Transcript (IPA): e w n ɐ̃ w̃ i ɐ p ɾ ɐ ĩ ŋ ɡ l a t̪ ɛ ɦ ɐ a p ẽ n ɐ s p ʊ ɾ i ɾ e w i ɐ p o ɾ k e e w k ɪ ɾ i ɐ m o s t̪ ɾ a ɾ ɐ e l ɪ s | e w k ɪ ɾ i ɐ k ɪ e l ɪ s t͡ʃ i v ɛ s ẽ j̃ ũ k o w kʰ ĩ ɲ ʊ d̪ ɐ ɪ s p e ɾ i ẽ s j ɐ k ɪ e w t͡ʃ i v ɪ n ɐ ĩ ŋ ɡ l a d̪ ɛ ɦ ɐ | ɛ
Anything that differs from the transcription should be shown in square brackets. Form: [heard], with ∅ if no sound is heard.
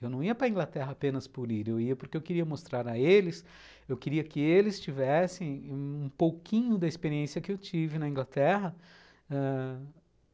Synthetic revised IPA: e w n ɐ̃ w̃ i ɐ p ɾ ɐ ĩ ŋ ɡ l a t̪ ɛ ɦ ɐ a p ẽ n ɐ s p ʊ ɾ i ɾ e w i ɐ p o ɾ k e e w k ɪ ɾ i ɐ m o s t̪ ɾ a ɾ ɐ e l ɪ s | e w k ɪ ɾ i ɐ k ɪ e l ɪ s t͡ʃ i v ɛ s ẽ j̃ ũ [p] o w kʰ ĩ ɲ ʊ d̪ ɐ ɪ s p e ɾ i ẽ s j ɐ k ɪ e w t͡ʃ i v ɪ n ɐ ĩ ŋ ɡ l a [t̪] ɛ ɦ ɐ | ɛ